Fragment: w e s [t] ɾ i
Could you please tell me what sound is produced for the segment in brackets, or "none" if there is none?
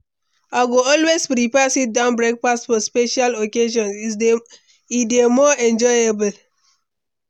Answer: p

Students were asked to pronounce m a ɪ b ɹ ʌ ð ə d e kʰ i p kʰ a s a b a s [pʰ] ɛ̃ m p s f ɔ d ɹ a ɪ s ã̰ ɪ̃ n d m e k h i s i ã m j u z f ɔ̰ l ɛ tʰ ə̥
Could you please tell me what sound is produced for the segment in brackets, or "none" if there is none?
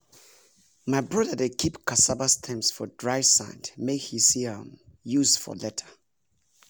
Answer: tʰ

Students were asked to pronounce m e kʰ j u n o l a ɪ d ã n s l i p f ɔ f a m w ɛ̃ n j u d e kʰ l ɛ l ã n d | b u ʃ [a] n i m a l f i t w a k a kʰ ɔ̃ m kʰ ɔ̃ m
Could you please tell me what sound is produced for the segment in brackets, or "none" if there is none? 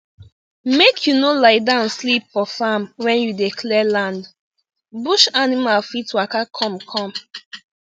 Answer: a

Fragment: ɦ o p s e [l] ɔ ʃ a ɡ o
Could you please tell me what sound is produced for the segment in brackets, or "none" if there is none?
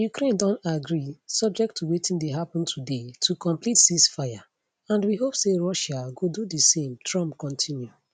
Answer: ɹ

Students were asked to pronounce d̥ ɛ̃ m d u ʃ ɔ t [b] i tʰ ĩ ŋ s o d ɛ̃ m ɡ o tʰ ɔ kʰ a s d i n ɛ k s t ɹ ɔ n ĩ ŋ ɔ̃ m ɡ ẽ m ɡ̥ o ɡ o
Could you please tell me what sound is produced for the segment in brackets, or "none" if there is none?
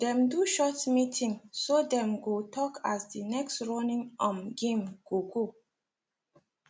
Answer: m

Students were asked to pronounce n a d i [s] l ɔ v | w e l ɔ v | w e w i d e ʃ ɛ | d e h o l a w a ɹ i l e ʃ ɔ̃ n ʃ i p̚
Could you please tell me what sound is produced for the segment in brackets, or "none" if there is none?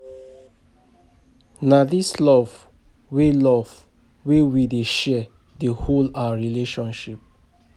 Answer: s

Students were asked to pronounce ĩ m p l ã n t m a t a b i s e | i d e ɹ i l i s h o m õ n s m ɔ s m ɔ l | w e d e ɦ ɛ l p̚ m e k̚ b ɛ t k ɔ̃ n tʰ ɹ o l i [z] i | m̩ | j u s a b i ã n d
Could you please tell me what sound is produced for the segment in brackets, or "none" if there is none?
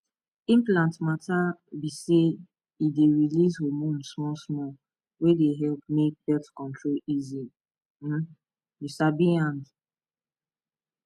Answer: z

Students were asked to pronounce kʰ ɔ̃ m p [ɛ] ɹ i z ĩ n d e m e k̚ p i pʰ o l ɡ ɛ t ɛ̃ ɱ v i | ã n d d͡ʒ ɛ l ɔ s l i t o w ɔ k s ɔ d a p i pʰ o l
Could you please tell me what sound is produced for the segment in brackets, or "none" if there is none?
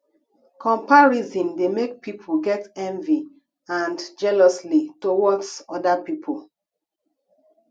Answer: a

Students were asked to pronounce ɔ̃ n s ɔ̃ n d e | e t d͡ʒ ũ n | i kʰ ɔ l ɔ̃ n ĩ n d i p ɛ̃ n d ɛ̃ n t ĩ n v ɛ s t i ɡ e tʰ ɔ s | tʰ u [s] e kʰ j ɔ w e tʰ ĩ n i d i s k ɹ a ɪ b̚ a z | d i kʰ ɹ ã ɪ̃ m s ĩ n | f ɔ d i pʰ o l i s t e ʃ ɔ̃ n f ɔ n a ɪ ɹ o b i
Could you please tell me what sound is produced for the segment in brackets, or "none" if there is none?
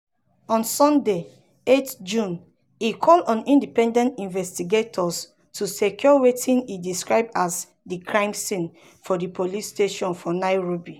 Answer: s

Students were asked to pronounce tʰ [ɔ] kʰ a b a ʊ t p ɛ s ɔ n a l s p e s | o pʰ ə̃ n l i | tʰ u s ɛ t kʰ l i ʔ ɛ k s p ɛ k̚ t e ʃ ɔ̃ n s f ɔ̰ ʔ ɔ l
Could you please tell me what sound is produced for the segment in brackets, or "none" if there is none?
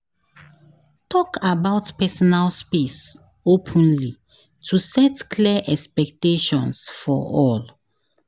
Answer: ɔ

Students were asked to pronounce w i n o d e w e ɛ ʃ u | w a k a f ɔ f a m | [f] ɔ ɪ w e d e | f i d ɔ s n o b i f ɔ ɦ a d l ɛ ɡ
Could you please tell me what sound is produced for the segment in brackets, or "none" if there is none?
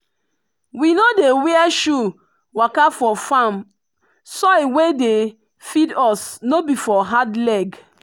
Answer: s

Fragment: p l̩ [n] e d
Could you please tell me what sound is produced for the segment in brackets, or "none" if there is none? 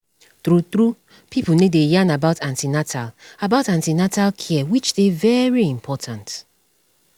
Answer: n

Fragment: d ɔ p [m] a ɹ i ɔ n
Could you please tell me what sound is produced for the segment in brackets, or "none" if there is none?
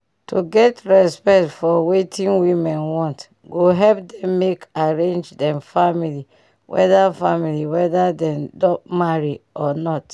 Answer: m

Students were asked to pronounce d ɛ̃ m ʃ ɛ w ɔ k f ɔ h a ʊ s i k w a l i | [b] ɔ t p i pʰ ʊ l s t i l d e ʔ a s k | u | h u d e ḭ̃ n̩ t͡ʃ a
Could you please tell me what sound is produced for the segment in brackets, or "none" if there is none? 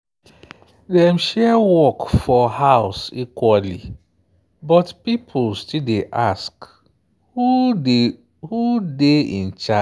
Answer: b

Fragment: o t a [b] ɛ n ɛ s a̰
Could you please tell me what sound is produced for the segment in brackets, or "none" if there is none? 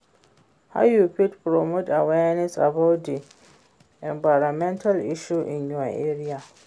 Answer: w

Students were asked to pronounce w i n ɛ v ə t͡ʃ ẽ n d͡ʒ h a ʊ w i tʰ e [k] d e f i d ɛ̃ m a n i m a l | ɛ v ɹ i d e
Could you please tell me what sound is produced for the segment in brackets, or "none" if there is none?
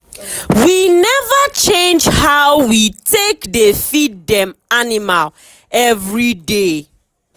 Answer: k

